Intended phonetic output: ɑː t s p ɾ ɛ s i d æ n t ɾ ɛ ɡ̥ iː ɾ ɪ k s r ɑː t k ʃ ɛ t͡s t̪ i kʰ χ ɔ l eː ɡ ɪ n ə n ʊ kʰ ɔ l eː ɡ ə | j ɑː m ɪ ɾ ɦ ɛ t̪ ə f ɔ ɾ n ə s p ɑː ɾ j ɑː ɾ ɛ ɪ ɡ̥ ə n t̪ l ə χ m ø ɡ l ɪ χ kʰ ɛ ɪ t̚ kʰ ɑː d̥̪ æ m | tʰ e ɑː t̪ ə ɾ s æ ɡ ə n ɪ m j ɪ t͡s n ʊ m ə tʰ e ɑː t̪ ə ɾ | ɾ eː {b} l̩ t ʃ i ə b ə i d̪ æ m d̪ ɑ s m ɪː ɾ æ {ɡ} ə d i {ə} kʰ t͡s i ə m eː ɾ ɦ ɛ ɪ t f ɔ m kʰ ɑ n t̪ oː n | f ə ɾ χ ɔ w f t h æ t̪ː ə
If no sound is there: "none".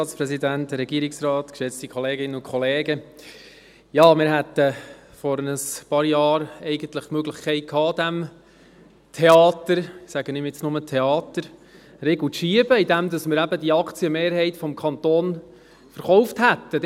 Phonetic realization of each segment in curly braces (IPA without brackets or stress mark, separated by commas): ɡ, b, ɑ